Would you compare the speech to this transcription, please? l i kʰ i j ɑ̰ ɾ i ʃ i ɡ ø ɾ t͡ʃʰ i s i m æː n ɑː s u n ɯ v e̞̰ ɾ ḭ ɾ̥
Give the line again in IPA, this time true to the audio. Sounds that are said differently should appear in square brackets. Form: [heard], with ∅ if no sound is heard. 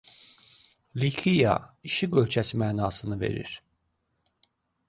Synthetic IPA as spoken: l i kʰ i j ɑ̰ [∅] i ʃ i ɡ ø [l] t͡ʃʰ [æ] s i m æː n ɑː s [ɯ] n ɯ v e̞̰ ɾ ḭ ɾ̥